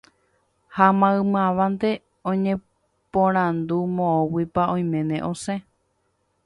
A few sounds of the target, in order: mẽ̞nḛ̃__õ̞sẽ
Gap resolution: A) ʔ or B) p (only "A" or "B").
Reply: A